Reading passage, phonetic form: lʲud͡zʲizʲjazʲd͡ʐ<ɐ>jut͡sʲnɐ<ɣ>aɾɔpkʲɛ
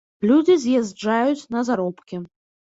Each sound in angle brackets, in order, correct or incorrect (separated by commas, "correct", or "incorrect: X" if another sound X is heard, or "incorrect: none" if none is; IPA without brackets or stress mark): incorrect: a, incorrect: z